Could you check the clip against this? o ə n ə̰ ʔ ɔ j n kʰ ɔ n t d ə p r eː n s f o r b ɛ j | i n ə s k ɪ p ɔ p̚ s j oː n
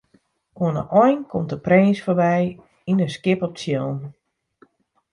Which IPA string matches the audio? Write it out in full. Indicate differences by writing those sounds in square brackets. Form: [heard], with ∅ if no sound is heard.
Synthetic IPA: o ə n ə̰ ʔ ɔ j n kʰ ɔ [m] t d ə p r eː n s f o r b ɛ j | i n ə s k ɪ p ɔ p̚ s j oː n